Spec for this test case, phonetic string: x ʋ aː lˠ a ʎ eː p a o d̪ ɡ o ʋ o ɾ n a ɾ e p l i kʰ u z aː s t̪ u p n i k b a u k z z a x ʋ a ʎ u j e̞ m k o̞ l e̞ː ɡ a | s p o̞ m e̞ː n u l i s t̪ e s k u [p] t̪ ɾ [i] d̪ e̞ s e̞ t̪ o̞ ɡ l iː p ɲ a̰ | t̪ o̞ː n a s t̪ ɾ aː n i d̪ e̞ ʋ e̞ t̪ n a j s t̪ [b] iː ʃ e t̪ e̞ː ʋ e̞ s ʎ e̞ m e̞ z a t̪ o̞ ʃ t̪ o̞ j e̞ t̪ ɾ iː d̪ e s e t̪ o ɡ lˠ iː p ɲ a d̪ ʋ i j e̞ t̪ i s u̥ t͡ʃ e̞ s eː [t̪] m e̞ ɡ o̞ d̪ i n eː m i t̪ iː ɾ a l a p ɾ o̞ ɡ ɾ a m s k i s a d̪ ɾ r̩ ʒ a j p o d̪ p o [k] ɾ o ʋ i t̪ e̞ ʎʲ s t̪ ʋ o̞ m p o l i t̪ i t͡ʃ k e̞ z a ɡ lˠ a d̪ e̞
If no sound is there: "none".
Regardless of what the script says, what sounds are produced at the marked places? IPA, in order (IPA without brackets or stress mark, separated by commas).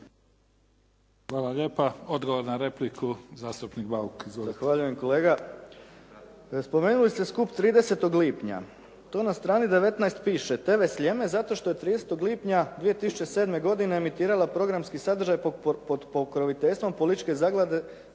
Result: p, iː, p, d̪, k